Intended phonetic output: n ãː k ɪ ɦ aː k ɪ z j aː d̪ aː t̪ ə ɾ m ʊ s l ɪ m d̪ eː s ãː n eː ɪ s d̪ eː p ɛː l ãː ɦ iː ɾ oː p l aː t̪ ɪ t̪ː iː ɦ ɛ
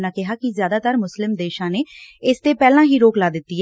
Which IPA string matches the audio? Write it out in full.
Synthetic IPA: n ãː k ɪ ɦ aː k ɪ z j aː d̪ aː t̪ ə ɾ m ʊ s l ɪ m d̪ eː ʃ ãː n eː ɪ s t̪ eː p ɛː l ãː ɦ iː ɾ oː k l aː d̪ ɪ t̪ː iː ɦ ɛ